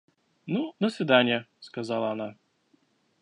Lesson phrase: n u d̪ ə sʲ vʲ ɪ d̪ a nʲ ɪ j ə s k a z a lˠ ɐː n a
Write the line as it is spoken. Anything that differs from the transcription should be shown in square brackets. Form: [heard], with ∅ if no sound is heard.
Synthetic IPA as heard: n u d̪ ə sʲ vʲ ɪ d̪ a nʲ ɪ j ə s k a z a lˠ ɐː n a